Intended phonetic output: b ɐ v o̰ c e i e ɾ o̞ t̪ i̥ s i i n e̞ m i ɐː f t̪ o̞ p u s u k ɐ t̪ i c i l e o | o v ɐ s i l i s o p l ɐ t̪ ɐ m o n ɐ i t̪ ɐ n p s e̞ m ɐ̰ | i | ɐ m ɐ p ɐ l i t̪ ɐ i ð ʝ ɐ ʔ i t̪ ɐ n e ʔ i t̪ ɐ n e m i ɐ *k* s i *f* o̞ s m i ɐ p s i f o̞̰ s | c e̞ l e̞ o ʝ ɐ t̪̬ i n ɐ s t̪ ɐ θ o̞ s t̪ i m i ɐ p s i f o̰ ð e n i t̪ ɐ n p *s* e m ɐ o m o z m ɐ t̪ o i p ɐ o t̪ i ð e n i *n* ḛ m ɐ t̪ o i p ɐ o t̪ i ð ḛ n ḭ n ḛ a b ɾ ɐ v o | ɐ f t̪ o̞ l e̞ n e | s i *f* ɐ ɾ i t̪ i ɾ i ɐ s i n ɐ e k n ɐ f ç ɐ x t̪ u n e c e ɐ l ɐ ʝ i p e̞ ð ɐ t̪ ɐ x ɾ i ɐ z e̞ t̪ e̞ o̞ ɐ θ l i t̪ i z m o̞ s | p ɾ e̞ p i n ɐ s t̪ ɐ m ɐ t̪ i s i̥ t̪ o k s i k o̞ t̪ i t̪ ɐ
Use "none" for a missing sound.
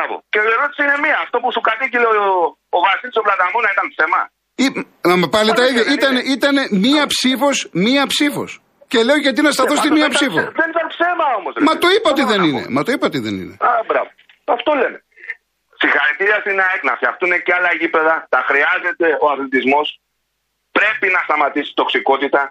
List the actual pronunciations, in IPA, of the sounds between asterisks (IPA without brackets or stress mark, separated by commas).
p, f, s, n, x